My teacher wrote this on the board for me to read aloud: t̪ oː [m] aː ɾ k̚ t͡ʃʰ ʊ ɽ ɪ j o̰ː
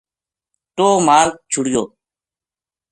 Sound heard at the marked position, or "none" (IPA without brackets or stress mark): m